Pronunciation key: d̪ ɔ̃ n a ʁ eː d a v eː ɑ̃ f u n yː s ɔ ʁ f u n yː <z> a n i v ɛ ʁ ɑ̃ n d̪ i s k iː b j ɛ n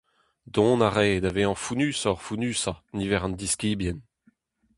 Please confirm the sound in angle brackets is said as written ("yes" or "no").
no